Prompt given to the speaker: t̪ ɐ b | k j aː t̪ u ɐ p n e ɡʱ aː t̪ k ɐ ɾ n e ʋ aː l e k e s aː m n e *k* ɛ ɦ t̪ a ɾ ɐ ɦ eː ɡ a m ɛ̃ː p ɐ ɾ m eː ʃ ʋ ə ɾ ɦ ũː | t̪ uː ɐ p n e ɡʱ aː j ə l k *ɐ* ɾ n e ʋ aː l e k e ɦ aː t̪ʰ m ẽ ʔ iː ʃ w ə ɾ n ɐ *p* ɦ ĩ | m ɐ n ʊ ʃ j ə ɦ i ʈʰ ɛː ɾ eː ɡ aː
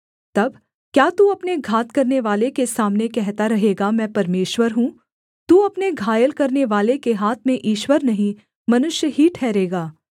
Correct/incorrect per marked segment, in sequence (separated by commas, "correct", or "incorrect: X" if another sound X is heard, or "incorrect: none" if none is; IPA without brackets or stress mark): correct, correct, incorrect: none